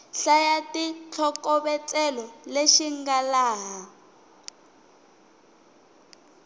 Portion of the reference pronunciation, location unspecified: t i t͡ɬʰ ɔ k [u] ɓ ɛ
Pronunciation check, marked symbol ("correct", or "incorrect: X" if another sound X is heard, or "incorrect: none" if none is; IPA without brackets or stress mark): incorrect: ɔ